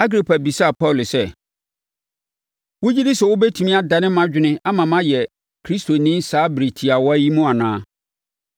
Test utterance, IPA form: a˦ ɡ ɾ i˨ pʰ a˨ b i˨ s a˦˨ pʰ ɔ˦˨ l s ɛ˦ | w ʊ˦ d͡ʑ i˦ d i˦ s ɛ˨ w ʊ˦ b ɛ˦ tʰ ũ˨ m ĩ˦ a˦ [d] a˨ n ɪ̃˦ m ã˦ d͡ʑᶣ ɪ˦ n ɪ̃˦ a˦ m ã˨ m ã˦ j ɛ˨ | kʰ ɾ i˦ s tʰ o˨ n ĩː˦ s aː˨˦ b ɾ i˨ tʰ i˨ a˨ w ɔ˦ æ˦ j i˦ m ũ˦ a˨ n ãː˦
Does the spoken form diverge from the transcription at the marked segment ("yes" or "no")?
no